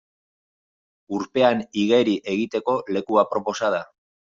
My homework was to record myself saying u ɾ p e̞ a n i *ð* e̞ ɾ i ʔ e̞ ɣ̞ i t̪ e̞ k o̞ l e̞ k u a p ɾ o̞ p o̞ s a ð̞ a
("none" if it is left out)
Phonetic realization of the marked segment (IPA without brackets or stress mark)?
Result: ɣ